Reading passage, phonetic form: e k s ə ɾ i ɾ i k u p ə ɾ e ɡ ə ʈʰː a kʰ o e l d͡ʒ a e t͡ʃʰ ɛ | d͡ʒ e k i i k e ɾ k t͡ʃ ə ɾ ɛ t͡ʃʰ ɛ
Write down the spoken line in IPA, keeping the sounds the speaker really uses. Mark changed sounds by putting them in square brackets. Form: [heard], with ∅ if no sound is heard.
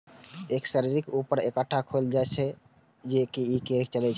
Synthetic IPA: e k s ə ɾ i ɾ i k u p ə ɾ e [k] ə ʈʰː a kʰ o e l d͡ʒ a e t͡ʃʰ ɛ | d͡ʒ e k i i k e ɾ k t͡ʃ ə [l] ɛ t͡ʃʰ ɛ